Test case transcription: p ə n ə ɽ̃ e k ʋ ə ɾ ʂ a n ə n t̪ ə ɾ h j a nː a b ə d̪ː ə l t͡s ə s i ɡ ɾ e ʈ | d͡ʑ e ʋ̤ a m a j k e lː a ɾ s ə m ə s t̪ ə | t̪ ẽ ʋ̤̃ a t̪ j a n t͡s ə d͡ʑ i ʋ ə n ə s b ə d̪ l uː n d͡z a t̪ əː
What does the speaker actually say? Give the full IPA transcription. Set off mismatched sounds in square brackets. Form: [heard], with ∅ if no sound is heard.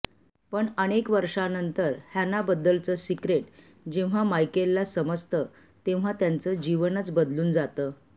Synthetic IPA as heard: p ə [ɳ] ə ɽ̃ e k ʋ ə ɾ ʂ a n ə n t̪ ə ɾ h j a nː a b ə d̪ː ə l t͡s ə s i [k] ɾ e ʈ | d͡ʑ e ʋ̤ a m a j k e lː a [∅] s ə m ə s t̪ ə | t̪ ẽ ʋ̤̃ a t̪ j a n t͡s ə d͡ʑ i ʋ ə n ə [t͡s] b ə d̪ l uː n d͡z a t̪ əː